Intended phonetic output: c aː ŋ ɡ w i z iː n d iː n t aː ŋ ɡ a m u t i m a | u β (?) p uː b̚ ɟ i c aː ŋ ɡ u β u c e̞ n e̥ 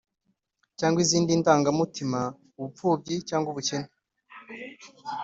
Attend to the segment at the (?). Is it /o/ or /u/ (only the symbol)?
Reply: u